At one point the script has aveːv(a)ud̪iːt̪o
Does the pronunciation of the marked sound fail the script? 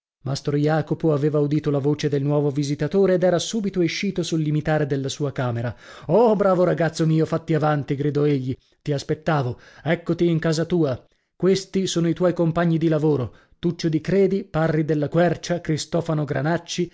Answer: no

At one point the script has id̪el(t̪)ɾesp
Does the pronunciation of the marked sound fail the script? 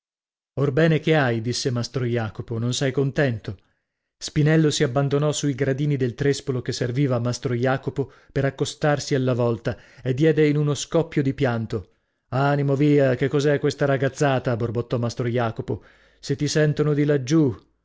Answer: no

